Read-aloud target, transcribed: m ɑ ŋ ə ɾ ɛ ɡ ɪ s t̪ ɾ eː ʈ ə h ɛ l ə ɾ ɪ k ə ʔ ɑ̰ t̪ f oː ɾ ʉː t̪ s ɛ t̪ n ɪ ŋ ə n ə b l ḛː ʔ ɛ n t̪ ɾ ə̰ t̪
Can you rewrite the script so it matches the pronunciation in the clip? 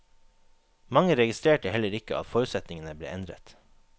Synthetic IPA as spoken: m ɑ ŋ ə ɾ ɛ ɡ ɪ s t̪ ɾ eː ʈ ə h ɛ l ə ɾ ɪ k ə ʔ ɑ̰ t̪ f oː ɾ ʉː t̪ s ɛ t̪ n ɪ ŋ ə n ə b l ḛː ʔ ɛ n d̪ ɾ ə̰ t̪